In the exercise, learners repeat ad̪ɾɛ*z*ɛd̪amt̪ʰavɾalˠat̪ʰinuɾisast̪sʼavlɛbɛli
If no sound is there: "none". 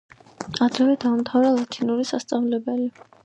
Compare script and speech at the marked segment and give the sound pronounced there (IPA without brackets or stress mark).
v